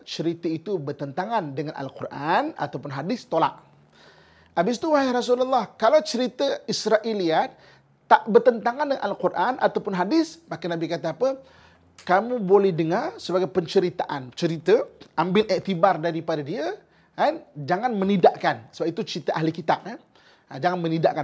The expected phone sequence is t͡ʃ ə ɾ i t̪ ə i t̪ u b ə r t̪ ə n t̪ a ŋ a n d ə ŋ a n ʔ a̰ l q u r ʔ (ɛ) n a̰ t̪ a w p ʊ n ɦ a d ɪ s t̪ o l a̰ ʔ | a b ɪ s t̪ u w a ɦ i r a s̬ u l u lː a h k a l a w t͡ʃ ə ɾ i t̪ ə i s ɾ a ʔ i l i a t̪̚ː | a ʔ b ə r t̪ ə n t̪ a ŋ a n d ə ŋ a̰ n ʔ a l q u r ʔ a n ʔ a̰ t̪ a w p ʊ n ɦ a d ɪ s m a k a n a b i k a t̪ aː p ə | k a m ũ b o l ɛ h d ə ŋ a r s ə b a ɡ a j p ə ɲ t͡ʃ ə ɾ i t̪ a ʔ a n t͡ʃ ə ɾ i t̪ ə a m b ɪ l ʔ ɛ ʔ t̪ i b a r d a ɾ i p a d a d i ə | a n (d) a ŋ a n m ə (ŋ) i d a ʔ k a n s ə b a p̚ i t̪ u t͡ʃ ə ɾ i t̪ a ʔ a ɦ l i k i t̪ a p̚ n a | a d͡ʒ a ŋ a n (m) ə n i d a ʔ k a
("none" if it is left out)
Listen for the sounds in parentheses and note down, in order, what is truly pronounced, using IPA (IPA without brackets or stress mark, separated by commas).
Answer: a, d͡ʒ, n, m